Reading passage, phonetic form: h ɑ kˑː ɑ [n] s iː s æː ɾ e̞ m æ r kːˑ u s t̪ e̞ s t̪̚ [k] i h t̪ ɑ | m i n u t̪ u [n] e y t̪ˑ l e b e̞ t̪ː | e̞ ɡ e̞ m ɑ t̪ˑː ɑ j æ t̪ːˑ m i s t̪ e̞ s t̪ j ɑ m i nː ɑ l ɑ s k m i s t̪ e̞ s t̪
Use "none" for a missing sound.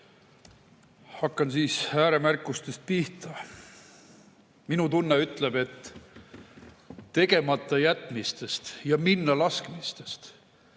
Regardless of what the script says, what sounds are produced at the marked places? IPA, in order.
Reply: n, p, nː

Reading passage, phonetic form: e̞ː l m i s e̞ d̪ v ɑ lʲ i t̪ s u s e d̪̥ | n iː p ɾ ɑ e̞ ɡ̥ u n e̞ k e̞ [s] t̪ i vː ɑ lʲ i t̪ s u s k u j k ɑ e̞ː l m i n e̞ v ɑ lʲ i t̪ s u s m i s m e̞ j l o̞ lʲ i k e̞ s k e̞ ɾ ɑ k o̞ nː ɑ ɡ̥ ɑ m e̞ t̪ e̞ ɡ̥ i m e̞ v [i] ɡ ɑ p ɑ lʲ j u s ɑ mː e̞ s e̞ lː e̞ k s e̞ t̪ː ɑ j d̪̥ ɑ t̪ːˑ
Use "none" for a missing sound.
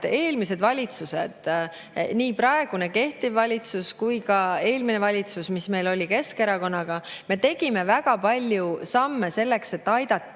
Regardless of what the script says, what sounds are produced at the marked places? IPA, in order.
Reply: h, æ

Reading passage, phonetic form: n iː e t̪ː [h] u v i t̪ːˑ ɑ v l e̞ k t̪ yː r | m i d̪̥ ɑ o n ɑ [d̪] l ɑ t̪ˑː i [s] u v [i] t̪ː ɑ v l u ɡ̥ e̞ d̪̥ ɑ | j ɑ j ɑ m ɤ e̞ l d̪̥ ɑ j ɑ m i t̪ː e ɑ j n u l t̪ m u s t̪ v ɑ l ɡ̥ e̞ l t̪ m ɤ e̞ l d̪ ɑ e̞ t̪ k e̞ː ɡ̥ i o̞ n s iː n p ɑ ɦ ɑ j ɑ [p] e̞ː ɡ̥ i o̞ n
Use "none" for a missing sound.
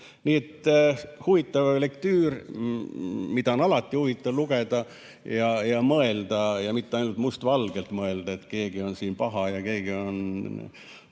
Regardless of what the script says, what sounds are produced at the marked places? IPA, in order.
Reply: h, none, h, i, k

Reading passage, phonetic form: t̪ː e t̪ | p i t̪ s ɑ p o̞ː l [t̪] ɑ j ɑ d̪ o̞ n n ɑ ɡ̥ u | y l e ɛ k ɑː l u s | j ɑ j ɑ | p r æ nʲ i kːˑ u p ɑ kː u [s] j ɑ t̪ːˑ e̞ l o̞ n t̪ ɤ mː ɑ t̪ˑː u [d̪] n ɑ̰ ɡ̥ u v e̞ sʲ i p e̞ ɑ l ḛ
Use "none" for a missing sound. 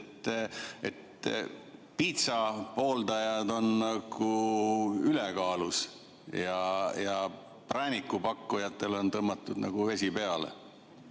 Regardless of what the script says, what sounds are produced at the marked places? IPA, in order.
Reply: d̪, none, d̪

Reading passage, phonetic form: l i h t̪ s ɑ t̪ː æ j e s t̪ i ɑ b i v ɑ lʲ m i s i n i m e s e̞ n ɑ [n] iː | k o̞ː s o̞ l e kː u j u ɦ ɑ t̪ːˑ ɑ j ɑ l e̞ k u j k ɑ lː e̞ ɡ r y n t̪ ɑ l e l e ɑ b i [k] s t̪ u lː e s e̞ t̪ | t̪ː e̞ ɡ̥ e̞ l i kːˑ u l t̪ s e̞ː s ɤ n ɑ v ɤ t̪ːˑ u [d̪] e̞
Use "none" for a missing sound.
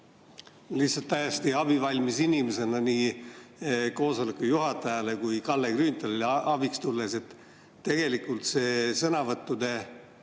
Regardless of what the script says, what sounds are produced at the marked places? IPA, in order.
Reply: n, k, d̪

